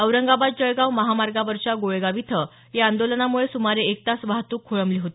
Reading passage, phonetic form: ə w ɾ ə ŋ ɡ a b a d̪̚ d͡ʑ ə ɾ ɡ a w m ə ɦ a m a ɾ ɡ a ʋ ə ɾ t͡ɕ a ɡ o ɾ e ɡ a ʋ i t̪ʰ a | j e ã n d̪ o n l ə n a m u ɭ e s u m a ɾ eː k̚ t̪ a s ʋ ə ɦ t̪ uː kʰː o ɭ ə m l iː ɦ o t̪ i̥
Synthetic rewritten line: ə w ɾ ə ŋ ɡ a b a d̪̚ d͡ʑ ə ɭ ɡ a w m ə ɦ a m a ɾ ɡ a ʋ ə ɾ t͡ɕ a ɡ o ɭ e ɡ a ʋ i t̪ʰ ə | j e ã n d̪ o l ə n a m u ɭ e s u m a ɾ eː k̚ t̪ a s ʋ a ɦ t̪ uː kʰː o ɭ ə m l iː ɦ o t̪ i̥

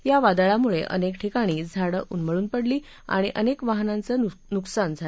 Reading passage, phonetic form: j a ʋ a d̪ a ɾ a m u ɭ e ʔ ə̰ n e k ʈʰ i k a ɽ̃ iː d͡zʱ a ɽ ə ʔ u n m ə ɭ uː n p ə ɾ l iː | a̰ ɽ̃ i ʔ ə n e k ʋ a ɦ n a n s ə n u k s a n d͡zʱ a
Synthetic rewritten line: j a ʋ a d̪ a ɭ a m u ɭ e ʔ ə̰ n e k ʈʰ i k a ɽ̃ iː d͡zʱ a ɽ ə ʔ u n m ə ɭ uː n p ə ɽ l iː | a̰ ɽ̃ i ʔ ə n e k ʋ a ɦ n a n t͡s ə n u k s a n d͡zʱ a

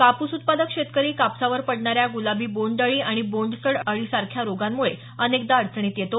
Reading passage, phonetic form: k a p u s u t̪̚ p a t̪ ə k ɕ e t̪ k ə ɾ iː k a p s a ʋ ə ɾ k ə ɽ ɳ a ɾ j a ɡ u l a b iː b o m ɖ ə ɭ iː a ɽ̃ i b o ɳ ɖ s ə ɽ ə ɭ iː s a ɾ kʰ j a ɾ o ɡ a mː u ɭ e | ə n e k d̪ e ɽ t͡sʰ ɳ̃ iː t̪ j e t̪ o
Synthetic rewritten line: k a p u s u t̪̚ p a d̪ ə k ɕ e t̪ k ə ɾ iː k a p s a ʋ ə ɾ p ə ɽ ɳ a ɾ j a ɡ u l a b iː b o ɳ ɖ ə ɭ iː a ɽ̃ i b o ɳ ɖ s ə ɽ ə ɭ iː s a ɾ kʰ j a ɾ o ɡ a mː u ɭ e | ə n e k d̪ a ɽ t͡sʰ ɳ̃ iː t̪ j e t̪ o

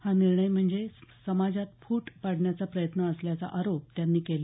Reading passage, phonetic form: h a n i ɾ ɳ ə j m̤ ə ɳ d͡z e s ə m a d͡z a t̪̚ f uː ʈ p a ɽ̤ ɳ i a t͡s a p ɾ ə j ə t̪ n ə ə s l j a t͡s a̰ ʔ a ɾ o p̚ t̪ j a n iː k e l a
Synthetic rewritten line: h a n i ɾ ɳ ə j m̤ ə ɳ d͡z e s ə m a d͡z a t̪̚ f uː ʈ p a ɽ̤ ɳ j a t͡s a p ɾ ə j ə t̪ n ə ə s l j a t͡s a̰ ʔ a ɾ o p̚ t̪ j a nː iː k e l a

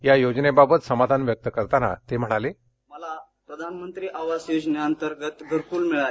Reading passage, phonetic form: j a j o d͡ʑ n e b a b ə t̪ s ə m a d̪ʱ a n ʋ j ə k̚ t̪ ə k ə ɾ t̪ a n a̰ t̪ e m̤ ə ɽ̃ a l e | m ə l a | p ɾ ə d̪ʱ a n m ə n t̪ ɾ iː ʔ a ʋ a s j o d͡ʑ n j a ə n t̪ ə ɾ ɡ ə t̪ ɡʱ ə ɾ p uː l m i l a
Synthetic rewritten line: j a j o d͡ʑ n e b a b ə t̪ s ə m a d̪ʱ a n ʋ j ə k̚ t̪ ə k ə ɾ t̪ a n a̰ t̪ e m̤ ə ɽ̃ a l e | m ə l a | p ɾ ə d̪ʱ a n m ə n t̪ ɾ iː ʔ a ʋ a s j o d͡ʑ n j a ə n t̪ ə ɾ ɡ ə t̪ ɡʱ ə ɾ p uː l m i ɭ a

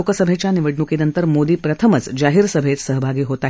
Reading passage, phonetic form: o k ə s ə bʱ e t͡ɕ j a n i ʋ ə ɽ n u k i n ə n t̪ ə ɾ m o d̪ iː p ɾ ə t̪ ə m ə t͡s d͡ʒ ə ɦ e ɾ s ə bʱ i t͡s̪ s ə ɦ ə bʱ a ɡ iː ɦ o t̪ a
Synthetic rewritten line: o k ə s ə bʱ e t͡ɕ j a n i ʋ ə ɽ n u k i n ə n t̪ ə ɾ m o d̪ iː p ɾ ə t̪ʰ ə m ə t͡s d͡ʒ a ɦ i ɾ s ə bʱ e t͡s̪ s ə ɦ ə bʱ a ɡ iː ɦ o t̪ a

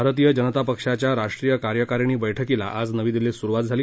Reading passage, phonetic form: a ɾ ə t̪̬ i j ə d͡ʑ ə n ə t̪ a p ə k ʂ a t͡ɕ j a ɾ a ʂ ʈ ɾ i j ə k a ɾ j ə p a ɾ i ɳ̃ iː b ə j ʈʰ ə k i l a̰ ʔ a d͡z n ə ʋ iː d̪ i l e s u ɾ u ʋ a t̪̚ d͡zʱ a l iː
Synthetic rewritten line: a ɾ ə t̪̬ i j ə d͡ʑ ə n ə t̪ a p ə k ʂ a t͡ɕ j a ɾ a ʂ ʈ ɾ i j ə k a ɾ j ə k a ɾ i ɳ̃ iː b ə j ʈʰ ə k i l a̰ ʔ a d͡z n ə ʋ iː d̪ i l e s u ɾ u ʋ a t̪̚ d͡zʱ a l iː

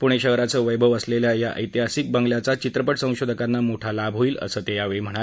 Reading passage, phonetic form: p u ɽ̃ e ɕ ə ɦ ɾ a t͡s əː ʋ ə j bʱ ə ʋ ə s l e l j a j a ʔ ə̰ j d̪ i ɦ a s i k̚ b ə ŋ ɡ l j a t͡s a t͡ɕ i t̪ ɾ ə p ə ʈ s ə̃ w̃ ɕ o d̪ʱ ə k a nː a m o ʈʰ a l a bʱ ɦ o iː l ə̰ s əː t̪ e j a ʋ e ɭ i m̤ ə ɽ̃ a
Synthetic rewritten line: p u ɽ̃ e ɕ ə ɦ ɾ a t͡s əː ʋ ə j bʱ ə ʋ ə s l e l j a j a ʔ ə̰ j t̪ i ɦ a s i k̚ b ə ŋ ɡ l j a t͡s a t͡ɕ i t̪ ɾ ə p ə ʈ s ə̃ w̃ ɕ o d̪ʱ ə k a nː a m o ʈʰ a l a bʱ ɦ o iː l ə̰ s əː t̪ e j a ʋ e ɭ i m̤ ə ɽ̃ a

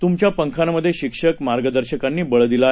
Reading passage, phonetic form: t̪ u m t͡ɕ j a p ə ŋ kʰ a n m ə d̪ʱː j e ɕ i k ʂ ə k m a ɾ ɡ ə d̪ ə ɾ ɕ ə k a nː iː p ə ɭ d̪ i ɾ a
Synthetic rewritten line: t̪ u m t͡ɕ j a p ə ŋ kʰ a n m ə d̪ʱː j e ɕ i k ʂ ə k m a ɾ ɡ ə d̪ ə ɾ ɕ ə k a nː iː b ə ɭ d̪ i l a

